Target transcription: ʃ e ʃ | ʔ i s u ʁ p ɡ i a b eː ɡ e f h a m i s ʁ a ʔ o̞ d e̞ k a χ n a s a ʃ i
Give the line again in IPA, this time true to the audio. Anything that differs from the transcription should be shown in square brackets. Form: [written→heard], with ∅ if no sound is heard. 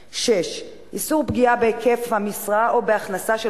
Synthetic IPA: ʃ e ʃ | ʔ i s u ʁ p ɡ i a b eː [ɡ→k] e f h a m i s ʁ a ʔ o̞ [d→b] e̞ [k→∅] a χ n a s a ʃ [i→e]